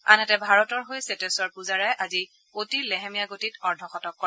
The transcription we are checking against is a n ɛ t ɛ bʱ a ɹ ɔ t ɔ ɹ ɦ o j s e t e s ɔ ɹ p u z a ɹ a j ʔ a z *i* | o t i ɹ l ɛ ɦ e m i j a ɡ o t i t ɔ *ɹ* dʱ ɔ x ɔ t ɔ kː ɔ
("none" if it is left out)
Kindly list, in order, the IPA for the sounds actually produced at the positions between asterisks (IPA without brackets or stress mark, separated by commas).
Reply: i, ɹ